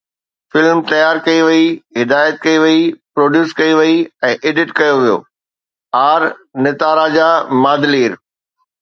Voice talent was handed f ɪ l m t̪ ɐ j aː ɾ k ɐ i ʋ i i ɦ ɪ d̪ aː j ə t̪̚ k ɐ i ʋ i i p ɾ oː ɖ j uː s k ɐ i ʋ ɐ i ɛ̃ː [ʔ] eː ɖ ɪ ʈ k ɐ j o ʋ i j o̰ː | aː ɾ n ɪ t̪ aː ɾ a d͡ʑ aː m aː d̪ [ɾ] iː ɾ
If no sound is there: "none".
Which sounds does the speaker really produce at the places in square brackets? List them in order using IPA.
ʔ, l

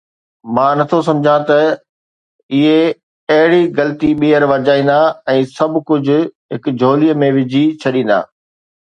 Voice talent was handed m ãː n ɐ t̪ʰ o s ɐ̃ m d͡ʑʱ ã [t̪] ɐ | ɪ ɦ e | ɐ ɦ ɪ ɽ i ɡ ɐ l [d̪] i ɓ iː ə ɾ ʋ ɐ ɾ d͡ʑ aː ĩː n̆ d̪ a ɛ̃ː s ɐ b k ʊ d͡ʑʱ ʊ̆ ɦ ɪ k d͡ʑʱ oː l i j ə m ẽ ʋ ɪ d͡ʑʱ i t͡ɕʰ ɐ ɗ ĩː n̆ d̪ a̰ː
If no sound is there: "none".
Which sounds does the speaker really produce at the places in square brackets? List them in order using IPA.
t̪, t̪

